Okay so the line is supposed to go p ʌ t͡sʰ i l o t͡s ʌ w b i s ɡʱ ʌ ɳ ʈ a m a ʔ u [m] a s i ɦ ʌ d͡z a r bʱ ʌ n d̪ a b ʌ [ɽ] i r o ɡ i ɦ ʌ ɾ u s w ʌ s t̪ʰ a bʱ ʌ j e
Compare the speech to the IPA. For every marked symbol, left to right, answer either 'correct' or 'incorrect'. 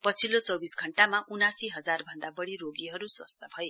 incorrect: n, correct

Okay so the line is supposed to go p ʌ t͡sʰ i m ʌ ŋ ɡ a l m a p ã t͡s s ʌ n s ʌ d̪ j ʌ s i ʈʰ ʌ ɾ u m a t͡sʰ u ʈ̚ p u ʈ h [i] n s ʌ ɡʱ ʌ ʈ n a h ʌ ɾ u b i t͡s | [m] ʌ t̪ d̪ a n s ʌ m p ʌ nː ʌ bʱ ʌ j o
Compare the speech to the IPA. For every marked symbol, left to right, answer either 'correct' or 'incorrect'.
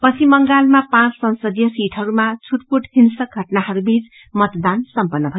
correct, correct

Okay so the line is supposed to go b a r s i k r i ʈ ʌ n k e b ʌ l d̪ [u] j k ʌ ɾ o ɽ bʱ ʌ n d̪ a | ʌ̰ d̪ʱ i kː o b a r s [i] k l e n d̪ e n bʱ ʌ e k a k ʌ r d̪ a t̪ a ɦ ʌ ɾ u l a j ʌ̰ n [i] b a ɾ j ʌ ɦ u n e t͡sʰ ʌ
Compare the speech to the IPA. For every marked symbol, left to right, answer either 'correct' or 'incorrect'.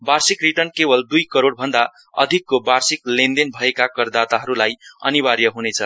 correct, correct, correct

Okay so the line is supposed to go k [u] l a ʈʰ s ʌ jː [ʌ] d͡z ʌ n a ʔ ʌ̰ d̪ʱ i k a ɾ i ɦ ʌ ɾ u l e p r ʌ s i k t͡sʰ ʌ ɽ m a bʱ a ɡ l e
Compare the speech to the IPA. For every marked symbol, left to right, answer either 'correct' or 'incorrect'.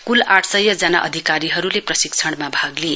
correct, correct

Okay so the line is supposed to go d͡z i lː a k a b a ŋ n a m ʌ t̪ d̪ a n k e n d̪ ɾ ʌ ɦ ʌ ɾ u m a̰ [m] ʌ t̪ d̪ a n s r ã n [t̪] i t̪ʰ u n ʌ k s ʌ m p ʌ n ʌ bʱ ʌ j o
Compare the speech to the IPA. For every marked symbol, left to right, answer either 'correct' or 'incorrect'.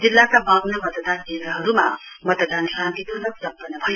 correct, correct

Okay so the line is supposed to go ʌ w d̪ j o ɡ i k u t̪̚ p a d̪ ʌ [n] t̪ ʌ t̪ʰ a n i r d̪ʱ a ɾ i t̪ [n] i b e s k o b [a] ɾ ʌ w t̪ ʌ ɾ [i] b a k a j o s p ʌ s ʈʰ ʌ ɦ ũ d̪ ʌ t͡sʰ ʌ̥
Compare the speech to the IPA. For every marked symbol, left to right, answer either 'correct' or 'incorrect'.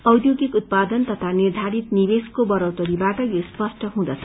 correct, correct, incorrect: ʌ, correct

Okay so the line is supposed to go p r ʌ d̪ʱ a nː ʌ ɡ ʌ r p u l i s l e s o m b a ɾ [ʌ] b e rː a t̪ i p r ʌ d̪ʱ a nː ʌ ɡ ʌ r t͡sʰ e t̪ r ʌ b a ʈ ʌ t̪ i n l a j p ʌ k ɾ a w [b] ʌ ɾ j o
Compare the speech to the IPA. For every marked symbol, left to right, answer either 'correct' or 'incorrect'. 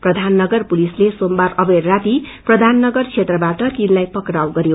correct, incorrect: ɡ

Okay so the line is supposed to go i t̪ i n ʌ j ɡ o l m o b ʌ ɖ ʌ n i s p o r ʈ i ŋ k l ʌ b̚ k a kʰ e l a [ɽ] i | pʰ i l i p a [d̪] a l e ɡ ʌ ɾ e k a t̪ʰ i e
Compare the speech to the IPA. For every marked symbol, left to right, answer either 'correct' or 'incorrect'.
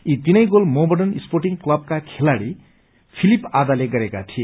correct, correct

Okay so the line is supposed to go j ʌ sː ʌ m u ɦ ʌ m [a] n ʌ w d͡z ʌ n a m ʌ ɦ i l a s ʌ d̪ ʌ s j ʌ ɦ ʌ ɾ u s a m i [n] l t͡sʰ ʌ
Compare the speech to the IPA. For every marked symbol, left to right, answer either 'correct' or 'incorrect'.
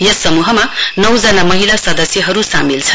correct, incorrect: none

